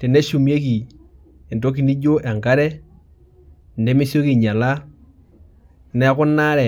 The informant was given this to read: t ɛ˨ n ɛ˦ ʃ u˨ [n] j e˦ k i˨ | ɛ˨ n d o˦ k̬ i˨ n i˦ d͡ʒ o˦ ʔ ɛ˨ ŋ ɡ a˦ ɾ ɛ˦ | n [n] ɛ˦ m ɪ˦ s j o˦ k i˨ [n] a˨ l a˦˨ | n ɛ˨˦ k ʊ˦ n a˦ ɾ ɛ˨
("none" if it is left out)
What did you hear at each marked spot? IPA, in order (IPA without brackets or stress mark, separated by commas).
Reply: m, d, ɲ